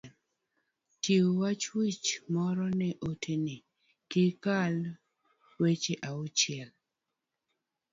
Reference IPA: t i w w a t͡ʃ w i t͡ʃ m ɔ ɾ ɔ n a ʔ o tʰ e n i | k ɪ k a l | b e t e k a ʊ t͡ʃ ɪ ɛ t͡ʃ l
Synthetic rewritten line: t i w w a t͡ʃ w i t͡ʃ m ɔ ɾ ɔ n ɛ ʔ o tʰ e n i | k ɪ k a l | w e t͡ʃ e ʔ a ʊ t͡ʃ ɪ ɛ l